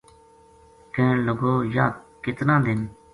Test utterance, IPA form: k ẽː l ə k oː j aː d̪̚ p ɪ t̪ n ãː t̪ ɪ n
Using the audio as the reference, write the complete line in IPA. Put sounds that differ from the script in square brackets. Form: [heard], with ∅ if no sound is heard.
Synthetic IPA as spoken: k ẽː l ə [ɡ] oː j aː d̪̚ [k] ɪ t̪ n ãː [d̪] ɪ n

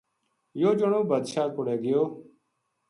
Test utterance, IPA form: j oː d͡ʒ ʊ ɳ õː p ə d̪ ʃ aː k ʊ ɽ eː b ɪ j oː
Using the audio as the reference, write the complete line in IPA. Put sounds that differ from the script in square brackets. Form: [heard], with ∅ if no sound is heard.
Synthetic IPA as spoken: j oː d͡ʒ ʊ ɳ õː [b] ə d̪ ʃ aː k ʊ ɽ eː [ɡ] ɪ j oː

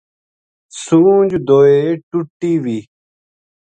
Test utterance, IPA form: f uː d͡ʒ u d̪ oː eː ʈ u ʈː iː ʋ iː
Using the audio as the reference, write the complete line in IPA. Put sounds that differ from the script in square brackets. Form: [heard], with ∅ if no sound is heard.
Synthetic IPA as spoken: [s] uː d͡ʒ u d̪ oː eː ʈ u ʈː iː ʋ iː

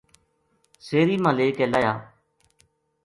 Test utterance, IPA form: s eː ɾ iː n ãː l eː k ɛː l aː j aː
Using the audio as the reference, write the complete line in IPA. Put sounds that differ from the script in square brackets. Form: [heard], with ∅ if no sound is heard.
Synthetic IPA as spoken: s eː ɾ iː [m] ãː l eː k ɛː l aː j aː

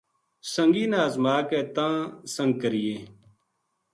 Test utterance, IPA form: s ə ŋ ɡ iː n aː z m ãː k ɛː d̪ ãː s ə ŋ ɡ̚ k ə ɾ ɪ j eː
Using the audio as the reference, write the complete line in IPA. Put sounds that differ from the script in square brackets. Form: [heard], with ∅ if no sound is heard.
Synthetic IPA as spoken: s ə ŋ ɡ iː n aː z m [aː] k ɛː [t̪] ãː s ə ŋ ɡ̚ k ə ɾ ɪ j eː

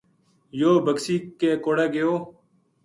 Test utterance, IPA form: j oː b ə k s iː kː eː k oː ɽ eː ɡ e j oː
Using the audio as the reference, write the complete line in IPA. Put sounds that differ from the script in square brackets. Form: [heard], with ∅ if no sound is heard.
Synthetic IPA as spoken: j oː b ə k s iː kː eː k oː ɽ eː ɡ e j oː

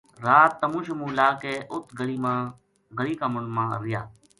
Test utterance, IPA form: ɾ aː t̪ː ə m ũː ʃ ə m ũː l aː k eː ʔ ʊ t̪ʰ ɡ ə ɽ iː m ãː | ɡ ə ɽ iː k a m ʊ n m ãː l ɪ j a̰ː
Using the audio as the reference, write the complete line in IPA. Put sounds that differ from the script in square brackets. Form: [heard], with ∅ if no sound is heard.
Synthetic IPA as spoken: ɾ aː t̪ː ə m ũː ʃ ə m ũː l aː k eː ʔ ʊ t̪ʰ ɡ ə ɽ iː m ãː | ɡ ə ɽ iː k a m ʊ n m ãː [ɾ] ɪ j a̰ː

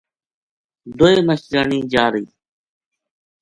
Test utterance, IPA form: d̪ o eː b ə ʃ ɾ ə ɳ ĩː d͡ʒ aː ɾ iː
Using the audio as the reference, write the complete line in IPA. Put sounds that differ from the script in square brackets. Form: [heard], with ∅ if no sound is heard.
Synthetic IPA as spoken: d̪ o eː [m] ə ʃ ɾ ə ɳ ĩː d͡ʒ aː ɾ iː

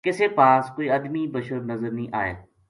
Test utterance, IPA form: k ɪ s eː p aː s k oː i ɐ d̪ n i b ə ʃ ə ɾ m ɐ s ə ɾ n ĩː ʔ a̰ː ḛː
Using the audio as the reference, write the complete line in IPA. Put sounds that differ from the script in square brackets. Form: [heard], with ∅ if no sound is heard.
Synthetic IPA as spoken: k ɪ s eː p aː s k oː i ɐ d̪ [m] i b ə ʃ ə ɾ [n] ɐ [z] ə ɾ n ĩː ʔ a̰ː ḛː

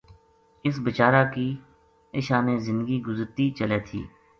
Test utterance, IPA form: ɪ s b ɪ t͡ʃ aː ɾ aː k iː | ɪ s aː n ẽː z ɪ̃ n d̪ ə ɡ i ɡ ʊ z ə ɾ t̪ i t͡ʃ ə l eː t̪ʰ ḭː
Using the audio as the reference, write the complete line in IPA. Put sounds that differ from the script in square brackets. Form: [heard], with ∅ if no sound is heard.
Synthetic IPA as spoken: ɪ s b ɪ t͡ʃ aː ɾ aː k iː | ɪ [ʃ] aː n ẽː z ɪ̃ n d̪ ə ɡ i ɡ ʊ z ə ɾ t̪ i t͡ʃ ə l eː t̪ʰ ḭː

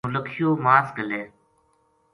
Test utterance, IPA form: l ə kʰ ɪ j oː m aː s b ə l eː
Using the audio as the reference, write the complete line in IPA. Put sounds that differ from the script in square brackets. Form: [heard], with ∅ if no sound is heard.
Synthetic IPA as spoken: l ə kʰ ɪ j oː m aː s [ɡ] ə l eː

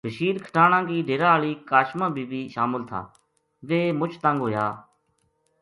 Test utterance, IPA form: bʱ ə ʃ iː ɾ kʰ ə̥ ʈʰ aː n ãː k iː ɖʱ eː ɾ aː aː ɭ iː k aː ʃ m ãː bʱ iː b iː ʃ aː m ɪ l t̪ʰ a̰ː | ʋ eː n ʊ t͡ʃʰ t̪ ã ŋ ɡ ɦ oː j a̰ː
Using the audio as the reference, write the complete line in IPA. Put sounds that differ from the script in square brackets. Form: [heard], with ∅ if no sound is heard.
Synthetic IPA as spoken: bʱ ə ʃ iː ɾ kʰ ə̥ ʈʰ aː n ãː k iː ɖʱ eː ɾ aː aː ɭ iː k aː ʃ m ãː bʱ iː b iː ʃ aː m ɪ l t̪ʰ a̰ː | ʋ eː [m] ʊ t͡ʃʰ t̪ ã ŋ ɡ ɦ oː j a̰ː

